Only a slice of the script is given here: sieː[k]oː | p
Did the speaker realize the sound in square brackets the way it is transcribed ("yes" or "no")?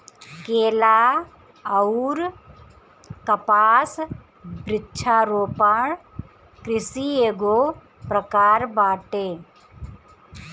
no